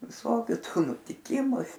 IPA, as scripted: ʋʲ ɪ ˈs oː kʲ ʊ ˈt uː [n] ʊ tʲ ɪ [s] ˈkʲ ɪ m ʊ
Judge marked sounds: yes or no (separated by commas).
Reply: yes, no